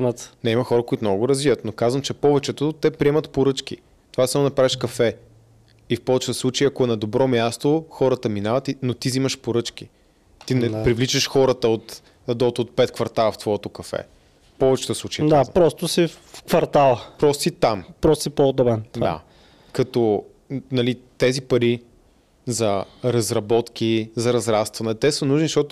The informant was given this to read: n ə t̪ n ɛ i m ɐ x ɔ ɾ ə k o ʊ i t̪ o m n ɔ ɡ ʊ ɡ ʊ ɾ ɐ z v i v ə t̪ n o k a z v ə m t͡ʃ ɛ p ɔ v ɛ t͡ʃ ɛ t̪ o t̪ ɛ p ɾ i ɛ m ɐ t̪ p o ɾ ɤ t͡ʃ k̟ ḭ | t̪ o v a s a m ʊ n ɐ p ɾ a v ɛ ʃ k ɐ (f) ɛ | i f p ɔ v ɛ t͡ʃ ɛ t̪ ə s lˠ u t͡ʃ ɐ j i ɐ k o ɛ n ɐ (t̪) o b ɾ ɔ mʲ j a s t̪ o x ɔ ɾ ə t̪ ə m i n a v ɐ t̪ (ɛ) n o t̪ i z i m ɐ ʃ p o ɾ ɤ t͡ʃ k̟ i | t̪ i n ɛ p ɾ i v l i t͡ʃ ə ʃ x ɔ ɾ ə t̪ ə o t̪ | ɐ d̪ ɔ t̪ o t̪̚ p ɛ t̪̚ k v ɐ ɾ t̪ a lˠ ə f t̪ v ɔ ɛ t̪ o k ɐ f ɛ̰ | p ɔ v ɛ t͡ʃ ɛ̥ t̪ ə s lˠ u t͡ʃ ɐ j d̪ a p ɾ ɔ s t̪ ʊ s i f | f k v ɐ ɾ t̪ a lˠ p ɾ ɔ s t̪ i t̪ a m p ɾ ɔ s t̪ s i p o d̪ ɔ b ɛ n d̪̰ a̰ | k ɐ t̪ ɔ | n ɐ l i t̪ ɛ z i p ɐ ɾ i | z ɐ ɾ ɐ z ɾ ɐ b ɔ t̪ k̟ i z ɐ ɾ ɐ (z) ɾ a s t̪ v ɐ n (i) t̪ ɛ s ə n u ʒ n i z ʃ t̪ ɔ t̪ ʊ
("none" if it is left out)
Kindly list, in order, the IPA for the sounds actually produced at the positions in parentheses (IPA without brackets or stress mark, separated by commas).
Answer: f, d̪, i, z, ɛ